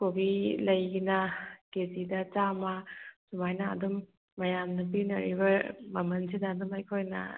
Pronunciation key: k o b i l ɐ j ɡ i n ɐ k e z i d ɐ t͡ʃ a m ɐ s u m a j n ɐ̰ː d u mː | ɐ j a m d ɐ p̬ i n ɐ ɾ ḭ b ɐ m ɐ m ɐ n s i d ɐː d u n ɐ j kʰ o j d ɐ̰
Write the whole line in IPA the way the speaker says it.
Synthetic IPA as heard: k o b i l ɐ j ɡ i n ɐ k e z i d ɐ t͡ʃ a m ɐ s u m a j n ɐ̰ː d u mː | ɐ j a m n ɐ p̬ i n ɐ ɾ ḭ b ɐ m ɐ m ɐ n s i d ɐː d u m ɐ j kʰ o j n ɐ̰